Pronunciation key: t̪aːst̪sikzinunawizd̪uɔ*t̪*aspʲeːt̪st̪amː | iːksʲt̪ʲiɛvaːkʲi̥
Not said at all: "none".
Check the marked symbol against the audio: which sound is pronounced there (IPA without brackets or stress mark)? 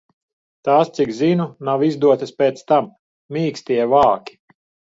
t̪